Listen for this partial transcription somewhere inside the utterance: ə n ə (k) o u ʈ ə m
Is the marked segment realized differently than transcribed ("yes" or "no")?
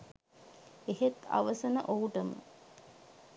yes